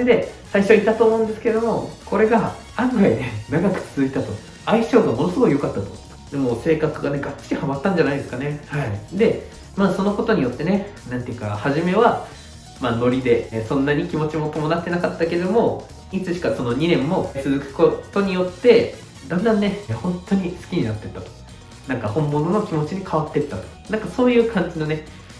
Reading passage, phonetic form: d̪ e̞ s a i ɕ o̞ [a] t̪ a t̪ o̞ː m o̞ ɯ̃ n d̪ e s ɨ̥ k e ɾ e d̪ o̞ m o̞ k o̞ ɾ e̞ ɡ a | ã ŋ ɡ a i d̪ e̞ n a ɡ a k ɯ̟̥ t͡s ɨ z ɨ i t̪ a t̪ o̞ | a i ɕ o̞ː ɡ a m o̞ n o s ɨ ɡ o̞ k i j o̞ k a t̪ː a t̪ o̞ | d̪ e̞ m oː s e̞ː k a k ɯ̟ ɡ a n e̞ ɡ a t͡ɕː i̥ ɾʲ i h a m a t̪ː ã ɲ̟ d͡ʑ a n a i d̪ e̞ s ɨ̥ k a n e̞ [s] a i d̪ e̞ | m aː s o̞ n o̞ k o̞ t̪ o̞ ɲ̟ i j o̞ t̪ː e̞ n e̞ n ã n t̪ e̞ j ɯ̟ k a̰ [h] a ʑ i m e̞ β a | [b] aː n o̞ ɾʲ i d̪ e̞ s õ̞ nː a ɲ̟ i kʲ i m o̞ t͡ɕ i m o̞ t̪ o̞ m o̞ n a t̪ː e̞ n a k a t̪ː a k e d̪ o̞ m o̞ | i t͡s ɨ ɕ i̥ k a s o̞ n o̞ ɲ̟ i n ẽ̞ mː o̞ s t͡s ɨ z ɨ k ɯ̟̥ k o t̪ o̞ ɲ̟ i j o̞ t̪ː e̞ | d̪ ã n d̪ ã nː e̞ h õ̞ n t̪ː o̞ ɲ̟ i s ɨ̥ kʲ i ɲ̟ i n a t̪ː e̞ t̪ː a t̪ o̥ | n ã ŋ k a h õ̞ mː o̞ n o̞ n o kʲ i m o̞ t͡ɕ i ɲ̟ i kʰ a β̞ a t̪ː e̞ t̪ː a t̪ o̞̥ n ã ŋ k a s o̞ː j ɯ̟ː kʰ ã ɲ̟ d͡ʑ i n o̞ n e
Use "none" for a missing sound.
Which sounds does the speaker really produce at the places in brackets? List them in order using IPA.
i, h, h, m

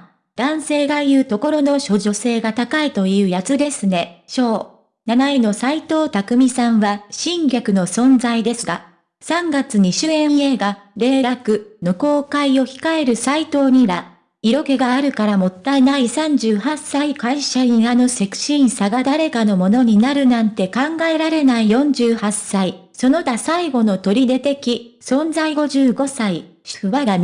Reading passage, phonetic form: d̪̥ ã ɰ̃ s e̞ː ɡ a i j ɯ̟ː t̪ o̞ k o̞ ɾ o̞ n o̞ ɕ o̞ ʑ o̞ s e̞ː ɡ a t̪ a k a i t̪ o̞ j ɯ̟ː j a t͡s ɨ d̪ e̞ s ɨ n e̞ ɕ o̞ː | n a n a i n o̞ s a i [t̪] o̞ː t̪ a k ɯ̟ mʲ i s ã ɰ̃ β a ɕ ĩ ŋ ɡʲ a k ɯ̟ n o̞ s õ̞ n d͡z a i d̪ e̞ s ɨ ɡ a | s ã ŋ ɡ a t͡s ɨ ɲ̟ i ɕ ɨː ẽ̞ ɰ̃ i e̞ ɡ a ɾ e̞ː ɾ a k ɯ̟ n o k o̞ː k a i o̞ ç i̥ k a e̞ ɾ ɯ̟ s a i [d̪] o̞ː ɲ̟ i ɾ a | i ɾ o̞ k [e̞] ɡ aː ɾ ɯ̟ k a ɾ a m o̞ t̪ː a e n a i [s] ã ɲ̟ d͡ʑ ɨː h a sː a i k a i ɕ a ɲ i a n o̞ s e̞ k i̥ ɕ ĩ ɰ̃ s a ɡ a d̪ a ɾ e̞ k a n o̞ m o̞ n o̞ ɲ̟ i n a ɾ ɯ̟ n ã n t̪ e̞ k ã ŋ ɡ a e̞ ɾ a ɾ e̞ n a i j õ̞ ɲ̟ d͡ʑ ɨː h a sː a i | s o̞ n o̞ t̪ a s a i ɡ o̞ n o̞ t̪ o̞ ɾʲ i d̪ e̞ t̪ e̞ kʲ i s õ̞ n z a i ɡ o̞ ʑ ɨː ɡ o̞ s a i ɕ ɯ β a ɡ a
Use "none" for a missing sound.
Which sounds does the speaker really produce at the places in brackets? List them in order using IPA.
t̪, t̪, e̞, s

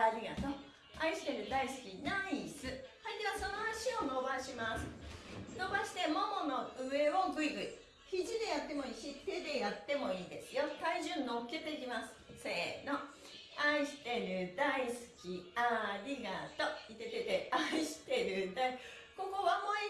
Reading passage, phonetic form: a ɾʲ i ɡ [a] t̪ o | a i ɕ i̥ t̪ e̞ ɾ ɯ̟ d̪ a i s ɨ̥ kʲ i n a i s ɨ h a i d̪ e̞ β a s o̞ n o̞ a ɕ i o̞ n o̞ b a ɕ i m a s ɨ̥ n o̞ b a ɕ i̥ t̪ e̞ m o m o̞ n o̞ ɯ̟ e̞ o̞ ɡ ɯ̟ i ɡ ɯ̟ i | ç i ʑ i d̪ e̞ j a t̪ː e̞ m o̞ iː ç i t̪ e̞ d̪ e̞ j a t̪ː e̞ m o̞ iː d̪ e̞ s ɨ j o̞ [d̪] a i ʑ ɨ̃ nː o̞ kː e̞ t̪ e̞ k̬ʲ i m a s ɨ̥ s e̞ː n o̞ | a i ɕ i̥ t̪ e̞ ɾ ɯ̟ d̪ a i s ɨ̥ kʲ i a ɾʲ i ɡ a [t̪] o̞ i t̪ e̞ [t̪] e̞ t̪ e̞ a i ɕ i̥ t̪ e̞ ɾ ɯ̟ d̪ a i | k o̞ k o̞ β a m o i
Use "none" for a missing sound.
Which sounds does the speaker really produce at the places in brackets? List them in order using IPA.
a, t̪, t̪, t̪

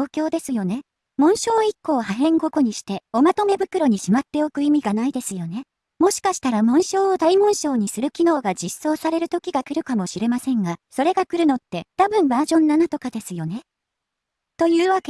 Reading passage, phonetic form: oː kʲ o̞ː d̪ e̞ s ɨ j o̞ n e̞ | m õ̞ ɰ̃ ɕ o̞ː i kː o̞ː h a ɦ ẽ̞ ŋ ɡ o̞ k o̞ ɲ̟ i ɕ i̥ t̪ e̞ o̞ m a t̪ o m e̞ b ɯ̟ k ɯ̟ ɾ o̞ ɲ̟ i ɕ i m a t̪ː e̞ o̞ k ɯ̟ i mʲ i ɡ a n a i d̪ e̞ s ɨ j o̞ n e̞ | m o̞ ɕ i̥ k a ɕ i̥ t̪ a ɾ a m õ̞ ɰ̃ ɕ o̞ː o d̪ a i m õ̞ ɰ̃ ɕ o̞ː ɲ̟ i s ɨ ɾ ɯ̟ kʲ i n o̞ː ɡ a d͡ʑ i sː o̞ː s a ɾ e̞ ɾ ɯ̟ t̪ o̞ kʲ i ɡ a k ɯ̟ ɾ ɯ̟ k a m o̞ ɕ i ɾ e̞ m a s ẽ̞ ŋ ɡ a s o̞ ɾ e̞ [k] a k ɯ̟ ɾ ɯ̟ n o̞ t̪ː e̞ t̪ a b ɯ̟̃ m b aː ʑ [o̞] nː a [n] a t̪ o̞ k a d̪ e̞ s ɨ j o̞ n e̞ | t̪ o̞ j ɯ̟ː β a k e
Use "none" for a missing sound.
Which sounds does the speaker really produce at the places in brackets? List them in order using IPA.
ɡ, õ̞, n

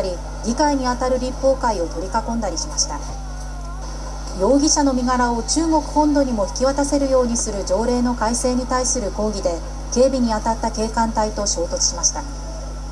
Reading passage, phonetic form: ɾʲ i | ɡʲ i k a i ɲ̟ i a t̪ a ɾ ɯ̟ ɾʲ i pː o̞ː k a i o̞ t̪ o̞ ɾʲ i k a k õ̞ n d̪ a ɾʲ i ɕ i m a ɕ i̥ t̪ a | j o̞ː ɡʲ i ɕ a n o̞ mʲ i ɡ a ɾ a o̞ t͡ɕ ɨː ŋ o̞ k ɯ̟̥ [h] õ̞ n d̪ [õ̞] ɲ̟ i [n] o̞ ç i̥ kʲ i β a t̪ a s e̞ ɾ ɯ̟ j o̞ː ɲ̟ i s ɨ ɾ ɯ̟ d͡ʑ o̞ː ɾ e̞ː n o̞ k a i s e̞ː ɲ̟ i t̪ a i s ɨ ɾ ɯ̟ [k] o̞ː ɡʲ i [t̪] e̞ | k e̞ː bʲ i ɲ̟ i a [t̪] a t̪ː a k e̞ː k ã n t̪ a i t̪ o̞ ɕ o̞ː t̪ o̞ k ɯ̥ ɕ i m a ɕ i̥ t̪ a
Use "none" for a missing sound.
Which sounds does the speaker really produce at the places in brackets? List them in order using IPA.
h, o̞, m, k, d̪, t̪

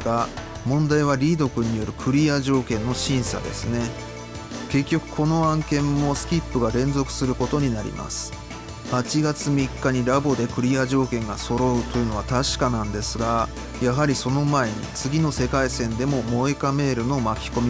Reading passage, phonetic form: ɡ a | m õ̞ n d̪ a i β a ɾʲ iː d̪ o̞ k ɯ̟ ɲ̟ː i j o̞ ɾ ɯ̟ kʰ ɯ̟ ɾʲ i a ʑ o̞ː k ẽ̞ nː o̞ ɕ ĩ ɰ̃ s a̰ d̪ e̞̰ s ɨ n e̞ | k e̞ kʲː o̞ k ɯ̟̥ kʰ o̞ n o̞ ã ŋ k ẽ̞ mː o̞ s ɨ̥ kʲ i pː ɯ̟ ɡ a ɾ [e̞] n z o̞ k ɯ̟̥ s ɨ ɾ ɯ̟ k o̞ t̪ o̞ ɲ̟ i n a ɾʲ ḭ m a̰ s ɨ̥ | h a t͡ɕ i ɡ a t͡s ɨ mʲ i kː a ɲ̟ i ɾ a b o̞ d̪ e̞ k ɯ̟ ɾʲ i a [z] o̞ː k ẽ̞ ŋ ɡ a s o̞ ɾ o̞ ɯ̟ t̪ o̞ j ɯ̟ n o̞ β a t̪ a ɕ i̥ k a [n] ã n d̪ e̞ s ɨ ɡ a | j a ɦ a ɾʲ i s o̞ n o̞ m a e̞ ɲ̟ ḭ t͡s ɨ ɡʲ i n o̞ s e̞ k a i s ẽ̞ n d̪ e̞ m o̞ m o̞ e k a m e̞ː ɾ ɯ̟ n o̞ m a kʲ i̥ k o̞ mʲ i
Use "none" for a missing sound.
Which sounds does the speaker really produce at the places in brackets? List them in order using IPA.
ẽ̞, ʑ, n

